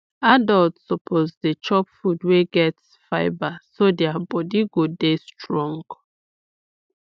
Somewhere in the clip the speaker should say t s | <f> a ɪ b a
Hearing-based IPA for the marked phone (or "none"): f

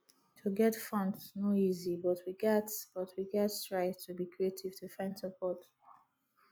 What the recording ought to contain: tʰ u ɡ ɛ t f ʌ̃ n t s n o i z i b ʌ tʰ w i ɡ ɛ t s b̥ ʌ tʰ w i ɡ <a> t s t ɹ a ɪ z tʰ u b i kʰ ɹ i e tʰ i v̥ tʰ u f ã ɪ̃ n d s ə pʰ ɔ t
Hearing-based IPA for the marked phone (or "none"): ɛ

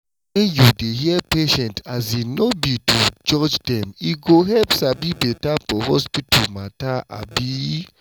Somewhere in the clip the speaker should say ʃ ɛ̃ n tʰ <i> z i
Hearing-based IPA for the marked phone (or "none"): a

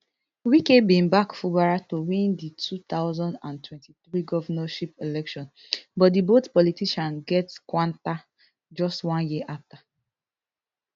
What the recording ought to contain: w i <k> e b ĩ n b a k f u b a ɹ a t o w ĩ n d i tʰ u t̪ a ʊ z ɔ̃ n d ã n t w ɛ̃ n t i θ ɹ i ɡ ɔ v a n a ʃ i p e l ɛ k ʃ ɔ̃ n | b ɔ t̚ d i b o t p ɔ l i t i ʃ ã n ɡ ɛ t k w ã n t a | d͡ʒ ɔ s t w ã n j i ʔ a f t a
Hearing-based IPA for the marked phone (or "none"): k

